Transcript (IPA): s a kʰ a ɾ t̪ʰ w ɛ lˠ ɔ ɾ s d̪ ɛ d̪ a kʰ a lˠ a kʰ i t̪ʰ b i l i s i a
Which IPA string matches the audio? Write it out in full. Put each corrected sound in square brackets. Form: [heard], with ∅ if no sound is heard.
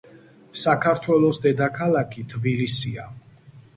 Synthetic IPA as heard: s a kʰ a ɾ t̪ʰ w ɛ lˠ ɔ [∅] s d̪ ɛ d̪ a kʰ a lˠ a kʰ i t̪ʰ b i l i s i a